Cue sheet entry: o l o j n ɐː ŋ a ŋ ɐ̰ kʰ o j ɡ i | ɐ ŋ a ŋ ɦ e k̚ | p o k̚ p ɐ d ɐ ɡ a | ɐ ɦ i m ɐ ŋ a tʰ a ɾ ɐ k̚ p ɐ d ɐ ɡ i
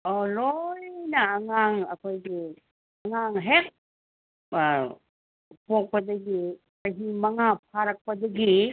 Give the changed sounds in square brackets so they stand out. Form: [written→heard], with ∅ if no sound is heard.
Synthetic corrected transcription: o l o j n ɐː ŋ a ŋ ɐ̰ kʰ o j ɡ i | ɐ ŋ a ŋ ɦ e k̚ | p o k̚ p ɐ d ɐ ɡ [a→i] | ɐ ɦ i m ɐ ŋ a [tʰ→pʰ] a ɾ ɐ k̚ p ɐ d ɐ ɡ i